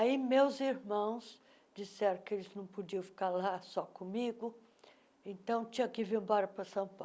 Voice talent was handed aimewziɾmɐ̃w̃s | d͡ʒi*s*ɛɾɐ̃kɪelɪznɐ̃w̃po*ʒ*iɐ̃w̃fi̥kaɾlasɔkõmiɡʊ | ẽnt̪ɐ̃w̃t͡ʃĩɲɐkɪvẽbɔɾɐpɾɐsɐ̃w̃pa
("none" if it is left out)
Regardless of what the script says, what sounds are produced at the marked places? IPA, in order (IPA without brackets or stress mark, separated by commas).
s, d͡ʒ